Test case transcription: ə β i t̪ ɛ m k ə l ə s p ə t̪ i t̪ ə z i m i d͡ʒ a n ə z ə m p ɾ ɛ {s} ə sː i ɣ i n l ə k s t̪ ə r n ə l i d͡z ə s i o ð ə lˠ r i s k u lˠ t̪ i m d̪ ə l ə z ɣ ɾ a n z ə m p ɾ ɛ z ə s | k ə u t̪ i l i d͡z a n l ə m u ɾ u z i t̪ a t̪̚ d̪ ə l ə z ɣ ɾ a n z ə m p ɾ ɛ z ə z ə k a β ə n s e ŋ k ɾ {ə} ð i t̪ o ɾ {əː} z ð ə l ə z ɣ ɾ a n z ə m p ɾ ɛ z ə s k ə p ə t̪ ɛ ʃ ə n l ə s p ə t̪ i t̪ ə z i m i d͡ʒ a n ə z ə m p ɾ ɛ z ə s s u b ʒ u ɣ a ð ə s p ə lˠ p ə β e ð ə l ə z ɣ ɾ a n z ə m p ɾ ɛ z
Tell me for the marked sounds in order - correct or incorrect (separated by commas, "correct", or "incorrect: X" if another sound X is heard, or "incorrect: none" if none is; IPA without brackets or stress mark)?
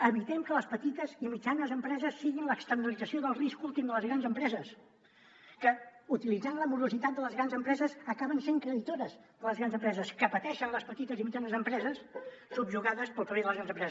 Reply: incorrect: z, correct, incorrect: ə